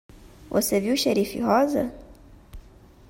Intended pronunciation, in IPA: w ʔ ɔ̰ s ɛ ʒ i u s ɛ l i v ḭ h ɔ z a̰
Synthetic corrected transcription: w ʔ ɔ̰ s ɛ v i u ʃ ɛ ɾ i f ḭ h ɔ z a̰